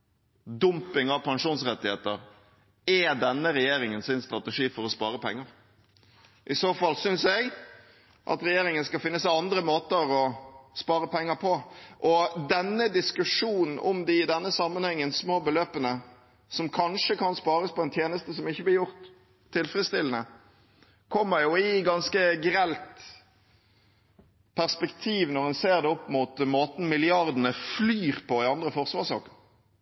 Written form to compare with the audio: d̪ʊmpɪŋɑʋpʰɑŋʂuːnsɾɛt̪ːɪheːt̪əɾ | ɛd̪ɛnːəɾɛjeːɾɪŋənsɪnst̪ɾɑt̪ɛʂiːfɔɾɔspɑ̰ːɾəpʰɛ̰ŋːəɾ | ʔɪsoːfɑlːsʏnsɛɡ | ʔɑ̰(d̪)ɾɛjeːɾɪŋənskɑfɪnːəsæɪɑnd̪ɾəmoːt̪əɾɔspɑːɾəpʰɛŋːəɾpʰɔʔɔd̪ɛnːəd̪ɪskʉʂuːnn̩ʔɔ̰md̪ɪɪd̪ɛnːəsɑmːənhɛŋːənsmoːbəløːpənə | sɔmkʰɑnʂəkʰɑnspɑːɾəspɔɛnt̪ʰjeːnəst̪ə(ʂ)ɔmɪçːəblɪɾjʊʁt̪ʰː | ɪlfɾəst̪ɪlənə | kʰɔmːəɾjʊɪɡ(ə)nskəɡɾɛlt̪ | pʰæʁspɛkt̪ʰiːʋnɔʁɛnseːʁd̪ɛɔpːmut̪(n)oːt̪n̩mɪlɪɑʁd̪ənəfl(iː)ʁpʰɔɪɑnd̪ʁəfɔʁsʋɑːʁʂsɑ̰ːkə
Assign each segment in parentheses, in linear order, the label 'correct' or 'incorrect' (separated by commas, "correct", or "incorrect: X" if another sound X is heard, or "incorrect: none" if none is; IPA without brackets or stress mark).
incorrect: t̪, incorrect: s, incorrect: ɑ, incorrect: m, incorrect: yː